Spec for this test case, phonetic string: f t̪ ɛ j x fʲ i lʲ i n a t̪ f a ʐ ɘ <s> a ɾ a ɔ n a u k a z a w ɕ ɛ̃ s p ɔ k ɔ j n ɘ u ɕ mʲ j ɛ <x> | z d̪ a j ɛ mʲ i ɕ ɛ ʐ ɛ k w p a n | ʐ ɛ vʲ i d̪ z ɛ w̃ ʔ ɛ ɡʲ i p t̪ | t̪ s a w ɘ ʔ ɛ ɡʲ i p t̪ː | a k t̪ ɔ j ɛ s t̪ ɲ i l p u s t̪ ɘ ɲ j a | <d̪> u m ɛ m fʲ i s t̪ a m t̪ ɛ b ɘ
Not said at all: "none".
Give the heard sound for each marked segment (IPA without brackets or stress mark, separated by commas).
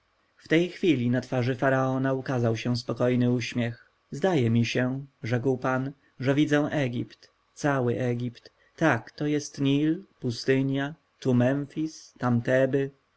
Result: f, x, t̪